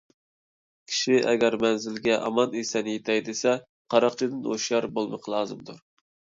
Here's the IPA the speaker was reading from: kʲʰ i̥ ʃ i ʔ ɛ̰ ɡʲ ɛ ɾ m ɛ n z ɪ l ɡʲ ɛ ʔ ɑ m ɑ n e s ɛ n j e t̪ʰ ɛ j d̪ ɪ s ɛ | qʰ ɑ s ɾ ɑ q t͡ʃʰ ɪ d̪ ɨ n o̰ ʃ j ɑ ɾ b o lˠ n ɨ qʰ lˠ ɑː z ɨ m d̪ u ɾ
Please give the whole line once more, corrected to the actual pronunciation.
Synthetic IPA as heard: kʲʰ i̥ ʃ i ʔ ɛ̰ ɡʲ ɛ ɾ m ɛ n z ɪ l ɡʲ ɛ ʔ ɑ m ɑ n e s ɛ n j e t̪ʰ ɛ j d̪ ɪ s ɛ | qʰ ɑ ɾ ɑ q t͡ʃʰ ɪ d̪ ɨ n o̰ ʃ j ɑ ɾ b o lˠ m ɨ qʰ lˠ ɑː z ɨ m d̪ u ɾ